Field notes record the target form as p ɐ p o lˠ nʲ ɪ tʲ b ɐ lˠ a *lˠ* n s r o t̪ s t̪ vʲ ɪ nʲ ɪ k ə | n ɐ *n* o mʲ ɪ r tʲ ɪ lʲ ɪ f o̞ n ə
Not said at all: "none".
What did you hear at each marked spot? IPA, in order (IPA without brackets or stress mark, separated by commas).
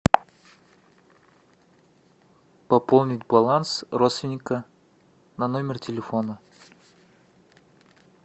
none, n